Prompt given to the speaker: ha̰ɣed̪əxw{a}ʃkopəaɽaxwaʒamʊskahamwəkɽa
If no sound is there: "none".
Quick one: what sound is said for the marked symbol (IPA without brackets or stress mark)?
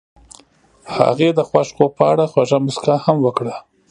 a